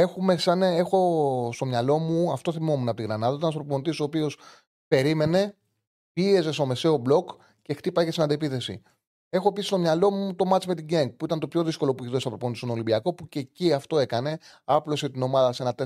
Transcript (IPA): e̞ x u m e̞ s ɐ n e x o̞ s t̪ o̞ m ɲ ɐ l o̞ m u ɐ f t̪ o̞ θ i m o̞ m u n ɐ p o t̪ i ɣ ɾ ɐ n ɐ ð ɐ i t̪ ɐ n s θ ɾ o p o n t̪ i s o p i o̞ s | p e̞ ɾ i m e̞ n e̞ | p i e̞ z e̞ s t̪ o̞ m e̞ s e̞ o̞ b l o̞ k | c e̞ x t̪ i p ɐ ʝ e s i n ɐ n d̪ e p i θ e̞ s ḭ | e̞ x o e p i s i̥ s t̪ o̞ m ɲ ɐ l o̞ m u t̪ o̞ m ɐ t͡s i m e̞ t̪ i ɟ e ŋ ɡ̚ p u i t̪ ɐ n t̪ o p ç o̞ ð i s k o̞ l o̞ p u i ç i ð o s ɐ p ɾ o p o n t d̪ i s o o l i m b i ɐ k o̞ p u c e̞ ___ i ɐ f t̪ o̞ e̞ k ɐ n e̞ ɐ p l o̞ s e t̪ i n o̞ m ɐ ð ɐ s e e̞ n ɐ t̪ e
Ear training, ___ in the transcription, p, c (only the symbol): c